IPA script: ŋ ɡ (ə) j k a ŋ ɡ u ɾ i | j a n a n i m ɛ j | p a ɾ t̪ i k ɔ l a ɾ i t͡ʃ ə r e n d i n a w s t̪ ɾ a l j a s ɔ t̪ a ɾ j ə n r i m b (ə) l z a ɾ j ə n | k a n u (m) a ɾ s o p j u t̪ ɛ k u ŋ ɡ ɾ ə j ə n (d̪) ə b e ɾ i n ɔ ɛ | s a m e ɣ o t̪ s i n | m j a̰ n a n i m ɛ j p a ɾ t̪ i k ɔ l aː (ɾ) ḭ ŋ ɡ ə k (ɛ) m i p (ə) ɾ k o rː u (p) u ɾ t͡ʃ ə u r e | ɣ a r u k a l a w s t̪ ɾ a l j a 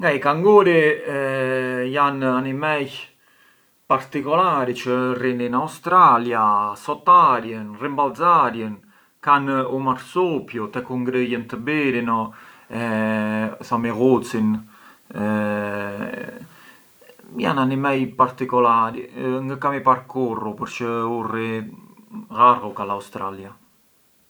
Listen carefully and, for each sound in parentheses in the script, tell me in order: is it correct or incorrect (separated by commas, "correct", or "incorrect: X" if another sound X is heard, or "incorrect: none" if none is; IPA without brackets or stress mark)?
incorrect: a, incorrect: a, correct, incorrect: t̪, correct, incorrect: a, incorrect: a, correct